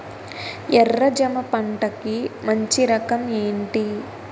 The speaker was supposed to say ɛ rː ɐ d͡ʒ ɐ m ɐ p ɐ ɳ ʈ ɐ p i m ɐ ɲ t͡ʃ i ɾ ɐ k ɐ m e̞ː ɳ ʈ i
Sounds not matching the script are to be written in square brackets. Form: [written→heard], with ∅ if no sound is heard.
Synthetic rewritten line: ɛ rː ɐ d͡ʒ ɐ m ɐ p ɐ ɳ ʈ ɐ [p→k] i m ɐ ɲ t͡ʃ i ɾ ɐ k ɐ m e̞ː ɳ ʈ i